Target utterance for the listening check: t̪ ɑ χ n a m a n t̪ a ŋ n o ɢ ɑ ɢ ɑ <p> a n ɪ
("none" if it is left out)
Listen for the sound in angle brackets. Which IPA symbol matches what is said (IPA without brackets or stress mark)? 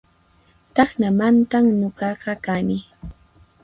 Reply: k